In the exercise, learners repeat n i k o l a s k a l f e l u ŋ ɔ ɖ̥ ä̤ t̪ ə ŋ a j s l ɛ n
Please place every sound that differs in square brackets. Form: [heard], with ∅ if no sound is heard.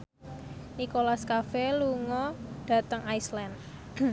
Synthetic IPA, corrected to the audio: n i k o l a s k a [∅] f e l u ŋ ɔ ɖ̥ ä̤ t̪ ə ŋ a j s l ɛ n